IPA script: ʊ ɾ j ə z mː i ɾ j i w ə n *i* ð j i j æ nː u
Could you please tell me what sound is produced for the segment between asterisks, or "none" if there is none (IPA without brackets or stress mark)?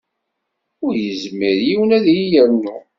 æ